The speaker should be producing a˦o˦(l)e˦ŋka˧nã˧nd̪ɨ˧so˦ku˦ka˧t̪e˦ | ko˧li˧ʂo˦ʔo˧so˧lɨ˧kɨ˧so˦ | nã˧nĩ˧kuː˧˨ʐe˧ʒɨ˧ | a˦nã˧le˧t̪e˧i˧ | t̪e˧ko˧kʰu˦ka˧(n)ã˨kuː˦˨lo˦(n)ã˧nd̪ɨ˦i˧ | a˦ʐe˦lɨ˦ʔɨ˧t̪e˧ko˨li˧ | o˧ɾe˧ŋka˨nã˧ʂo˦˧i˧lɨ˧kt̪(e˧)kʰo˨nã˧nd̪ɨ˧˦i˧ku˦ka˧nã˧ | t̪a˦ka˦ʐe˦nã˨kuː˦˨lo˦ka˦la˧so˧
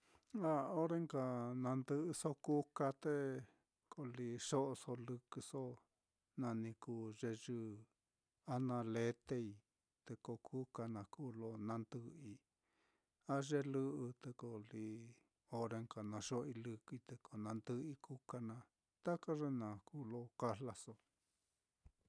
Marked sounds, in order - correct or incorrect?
incorrect: ɾ, correct, correct, correct

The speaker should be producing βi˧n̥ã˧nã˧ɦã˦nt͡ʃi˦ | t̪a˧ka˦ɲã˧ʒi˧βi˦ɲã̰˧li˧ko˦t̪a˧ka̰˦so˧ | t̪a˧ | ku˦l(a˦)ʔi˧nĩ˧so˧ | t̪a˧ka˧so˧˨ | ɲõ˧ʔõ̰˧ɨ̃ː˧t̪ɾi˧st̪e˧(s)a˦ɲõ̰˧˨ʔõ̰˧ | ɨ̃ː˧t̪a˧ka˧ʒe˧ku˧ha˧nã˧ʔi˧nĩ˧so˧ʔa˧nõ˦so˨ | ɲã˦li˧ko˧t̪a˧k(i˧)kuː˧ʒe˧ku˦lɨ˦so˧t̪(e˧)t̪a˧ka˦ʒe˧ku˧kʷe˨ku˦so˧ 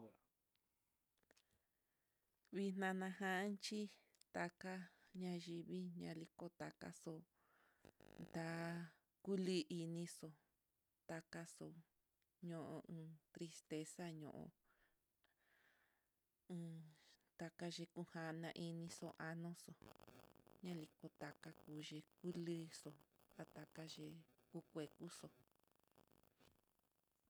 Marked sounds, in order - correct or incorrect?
incorrect: i˦, correct, incorrect: a˧, incorrect: a˧

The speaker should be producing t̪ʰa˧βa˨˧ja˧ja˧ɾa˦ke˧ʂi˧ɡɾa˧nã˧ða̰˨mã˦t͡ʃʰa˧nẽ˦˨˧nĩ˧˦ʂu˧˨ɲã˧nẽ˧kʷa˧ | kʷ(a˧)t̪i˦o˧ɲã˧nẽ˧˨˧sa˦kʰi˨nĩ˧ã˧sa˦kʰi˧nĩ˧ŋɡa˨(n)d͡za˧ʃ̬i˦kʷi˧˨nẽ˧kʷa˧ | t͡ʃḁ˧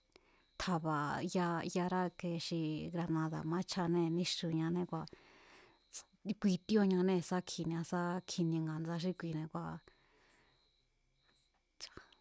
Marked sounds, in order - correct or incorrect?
incorrect: i˧, correct

